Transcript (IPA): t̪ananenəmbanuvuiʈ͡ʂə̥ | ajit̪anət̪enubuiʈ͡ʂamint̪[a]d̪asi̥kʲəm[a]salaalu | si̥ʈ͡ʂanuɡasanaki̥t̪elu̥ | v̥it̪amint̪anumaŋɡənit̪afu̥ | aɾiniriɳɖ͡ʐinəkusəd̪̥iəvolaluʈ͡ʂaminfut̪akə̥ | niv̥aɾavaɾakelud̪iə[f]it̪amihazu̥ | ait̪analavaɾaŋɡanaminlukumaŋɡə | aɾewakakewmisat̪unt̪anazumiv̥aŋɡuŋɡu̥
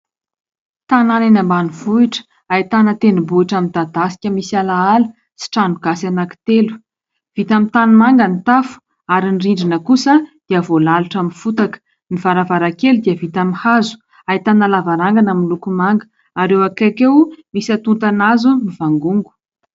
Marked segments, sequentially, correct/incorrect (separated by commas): correct, incorrect, incorrect